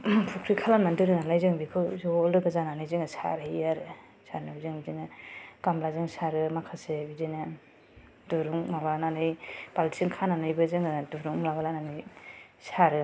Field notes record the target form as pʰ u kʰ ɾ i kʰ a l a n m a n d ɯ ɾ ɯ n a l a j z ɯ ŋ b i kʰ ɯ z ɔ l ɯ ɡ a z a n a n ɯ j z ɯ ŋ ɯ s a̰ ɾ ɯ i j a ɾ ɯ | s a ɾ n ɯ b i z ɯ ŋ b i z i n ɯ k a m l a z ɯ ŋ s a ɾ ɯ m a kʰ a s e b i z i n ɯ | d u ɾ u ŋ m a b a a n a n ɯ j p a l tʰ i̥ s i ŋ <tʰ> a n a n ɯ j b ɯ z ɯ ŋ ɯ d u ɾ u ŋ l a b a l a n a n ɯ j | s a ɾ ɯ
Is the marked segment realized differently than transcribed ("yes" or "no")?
yes